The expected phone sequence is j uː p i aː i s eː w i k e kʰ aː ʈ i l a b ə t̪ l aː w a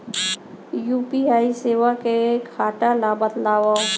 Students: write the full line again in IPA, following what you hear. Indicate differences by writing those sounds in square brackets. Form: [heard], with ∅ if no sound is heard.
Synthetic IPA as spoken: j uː p i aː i s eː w [a] k e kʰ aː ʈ [a] l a b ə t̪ l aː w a